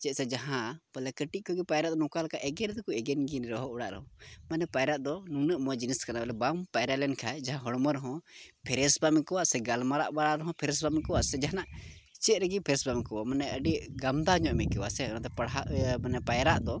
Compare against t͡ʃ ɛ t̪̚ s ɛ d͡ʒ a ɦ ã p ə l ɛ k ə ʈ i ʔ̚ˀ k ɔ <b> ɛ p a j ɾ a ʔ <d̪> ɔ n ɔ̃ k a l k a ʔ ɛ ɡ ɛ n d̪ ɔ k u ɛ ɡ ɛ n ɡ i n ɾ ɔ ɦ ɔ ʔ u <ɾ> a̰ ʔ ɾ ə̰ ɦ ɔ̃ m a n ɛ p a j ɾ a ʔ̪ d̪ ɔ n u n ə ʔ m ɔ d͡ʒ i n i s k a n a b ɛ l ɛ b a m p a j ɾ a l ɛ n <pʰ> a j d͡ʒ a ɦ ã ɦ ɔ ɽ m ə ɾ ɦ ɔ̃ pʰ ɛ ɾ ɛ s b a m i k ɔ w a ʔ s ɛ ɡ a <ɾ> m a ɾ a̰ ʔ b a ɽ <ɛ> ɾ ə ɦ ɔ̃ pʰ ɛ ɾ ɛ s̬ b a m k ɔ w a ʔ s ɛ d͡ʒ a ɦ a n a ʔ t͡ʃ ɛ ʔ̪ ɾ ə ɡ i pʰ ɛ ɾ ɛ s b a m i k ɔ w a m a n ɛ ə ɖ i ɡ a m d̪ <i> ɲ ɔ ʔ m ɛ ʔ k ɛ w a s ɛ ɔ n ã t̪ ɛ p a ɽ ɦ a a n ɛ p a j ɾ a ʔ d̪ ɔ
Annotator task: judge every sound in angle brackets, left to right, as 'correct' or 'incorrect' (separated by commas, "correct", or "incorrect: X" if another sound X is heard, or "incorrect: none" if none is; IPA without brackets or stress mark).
incorrect: ɡ, correct, incorrect: ɽ, incorrect: kʰ, incorrect: l, incorrect: a, incorrect: a